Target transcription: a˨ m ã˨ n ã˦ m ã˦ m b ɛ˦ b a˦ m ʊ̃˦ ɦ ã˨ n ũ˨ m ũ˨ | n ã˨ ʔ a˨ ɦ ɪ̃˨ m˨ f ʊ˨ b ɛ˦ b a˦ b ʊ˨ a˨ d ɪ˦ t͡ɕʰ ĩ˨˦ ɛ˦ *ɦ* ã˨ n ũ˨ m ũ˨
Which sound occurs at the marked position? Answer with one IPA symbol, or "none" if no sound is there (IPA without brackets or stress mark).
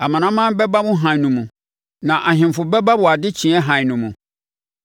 ɦ